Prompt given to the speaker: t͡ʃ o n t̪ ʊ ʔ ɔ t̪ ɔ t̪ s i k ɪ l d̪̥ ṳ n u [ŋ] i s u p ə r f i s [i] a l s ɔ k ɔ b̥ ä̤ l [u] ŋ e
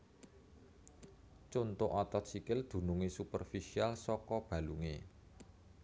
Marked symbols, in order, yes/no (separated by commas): yes, yes, yes